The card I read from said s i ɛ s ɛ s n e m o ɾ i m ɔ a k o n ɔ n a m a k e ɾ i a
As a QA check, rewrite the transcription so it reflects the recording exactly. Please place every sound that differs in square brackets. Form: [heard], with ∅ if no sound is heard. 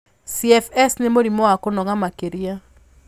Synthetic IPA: s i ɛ [f] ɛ s n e m o ɾ i m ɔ a k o n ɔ [ŋ] a m a k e ɾ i a